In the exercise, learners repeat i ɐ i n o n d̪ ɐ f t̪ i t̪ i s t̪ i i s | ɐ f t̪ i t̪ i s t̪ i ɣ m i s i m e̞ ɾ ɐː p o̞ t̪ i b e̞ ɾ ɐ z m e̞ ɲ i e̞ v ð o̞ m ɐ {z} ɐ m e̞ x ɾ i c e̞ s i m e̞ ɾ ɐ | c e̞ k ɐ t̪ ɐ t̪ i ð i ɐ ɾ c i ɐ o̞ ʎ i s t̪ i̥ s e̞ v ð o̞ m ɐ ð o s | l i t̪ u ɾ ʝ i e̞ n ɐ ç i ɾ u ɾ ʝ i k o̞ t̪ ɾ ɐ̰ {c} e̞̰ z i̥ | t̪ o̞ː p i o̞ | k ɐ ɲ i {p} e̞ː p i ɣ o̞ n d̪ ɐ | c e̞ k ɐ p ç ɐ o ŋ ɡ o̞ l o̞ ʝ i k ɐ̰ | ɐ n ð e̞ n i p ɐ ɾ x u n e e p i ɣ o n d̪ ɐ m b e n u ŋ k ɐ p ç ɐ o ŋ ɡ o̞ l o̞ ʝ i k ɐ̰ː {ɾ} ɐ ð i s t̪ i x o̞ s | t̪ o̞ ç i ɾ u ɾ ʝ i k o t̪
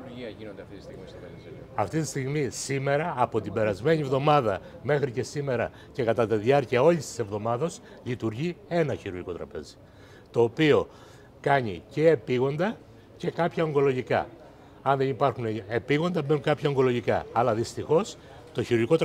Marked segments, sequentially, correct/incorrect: incorrect, incorrect, incorrect, incorrect

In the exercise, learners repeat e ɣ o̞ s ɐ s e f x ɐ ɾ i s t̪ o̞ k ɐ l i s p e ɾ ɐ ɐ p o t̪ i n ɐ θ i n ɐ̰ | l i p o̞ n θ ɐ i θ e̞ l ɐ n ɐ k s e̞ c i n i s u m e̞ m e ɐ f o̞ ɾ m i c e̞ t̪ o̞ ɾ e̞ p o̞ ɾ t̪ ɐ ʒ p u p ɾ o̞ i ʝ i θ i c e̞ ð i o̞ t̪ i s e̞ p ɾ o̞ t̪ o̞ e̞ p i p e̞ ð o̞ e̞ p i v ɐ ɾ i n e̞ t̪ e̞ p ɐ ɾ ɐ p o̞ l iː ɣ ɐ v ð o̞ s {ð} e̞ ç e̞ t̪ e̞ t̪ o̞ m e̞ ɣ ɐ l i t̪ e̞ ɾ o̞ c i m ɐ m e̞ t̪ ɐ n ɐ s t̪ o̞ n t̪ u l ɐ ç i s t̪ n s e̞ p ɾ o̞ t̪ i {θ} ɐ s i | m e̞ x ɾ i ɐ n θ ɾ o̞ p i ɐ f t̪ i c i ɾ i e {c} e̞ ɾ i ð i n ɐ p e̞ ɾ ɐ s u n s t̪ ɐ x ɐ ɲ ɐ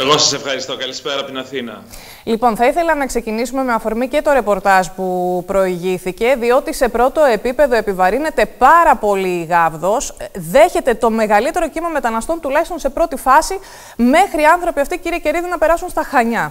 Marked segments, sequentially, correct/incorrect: correct, incorrect, correct

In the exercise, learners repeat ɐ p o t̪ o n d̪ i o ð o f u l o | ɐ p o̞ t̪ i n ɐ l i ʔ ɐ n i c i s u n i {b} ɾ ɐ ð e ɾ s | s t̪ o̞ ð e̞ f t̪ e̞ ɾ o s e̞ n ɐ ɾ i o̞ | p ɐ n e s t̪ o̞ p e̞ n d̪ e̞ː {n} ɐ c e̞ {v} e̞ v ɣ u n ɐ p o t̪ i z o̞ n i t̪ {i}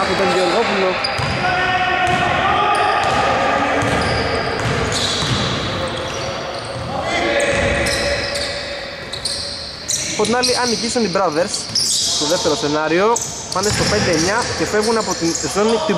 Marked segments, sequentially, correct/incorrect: correct, incorrect, incorrect, correct

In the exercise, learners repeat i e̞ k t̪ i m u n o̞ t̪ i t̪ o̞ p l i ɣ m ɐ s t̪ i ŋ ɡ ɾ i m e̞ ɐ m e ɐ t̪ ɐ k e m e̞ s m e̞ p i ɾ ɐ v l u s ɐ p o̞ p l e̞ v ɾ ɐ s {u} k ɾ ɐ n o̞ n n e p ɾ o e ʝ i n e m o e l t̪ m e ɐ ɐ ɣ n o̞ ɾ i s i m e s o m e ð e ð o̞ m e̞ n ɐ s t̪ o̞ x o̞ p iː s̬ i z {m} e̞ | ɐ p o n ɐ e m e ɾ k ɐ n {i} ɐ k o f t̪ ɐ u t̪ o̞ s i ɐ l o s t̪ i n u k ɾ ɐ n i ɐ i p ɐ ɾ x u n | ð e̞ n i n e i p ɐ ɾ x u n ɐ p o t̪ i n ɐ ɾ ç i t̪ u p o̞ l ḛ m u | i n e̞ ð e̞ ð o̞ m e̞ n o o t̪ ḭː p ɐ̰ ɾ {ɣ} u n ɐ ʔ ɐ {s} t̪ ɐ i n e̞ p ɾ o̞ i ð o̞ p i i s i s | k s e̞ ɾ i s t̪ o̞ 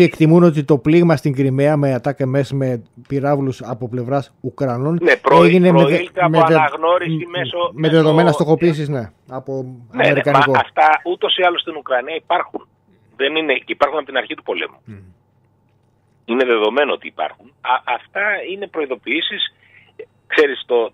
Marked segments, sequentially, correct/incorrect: correct, incorrect, correct, incorrect, incorrect

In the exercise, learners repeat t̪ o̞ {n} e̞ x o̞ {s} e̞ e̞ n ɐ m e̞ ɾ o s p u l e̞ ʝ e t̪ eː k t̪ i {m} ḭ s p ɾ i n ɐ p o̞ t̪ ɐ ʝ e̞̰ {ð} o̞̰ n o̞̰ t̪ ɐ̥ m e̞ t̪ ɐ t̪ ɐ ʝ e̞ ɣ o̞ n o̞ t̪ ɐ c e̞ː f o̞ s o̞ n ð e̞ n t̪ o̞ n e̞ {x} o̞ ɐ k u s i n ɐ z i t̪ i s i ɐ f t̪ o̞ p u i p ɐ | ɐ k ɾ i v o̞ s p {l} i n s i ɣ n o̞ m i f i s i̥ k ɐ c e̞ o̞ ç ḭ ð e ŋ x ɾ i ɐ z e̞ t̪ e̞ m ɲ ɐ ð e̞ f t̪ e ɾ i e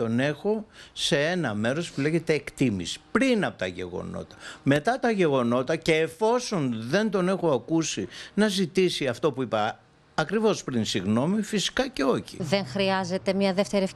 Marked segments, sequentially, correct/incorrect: correct, correct, correct, incorrect, correct, incorrect

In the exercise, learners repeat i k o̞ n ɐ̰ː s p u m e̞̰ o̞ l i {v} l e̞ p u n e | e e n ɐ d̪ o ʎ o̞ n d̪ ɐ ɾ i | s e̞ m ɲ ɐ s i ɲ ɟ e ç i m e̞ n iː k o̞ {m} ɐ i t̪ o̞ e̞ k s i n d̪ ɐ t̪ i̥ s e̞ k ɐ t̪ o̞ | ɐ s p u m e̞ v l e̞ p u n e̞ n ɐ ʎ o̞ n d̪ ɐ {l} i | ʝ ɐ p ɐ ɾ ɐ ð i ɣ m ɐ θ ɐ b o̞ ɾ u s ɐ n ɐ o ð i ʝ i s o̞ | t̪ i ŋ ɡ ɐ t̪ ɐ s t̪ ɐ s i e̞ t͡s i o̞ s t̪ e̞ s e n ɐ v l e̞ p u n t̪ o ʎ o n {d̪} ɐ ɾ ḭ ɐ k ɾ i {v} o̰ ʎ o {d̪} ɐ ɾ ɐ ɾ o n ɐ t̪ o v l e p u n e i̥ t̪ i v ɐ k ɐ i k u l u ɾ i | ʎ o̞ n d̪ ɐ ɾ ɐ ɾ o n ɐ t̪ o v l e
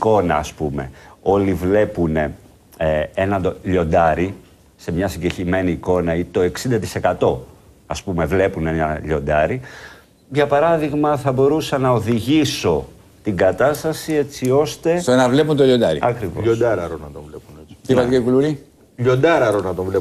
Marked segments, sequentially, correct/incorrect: correct, incorrect, incorrect, correct, correct, correct

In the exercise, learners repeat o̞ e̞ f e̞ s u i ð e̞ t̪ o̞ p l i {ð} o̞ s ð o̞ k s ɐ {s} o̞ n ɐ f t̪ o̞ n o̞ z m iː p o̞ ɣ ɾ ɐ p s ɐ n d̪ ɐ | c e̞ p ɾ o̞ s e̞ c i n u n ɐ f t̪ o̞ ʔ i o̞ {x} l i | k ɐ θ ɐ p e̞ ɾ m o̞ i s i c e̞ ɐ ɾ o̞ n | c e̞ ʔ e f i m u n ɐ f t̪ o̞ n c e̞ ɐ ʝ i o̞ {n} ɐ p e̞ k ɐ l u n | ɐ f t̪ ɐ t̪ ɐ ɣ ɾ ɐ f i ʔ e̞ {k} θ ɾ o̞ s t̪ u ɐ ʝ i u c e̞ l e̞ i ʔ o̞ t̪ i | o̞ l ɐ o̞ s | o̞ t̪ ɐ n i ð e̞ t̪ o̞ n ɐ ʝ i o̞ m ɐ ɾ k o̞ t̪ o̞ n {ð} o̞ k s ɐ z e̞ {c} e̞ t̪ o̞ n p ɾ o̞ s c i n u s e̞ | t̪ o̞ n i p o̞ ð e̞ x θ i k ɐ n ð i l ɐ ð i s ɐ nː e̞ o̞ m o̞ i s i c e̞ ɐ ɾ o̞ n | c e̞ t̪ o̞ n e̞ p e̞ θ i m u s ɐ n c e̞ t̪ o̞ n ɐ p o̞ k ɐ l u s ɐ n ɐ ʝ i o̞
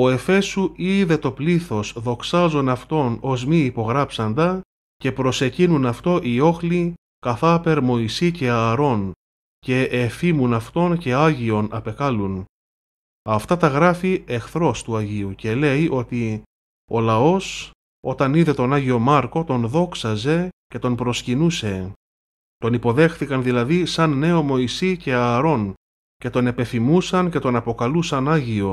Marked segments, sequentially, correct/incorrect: incorrect, incorrect, correct, correct, incorrect, correct, correct

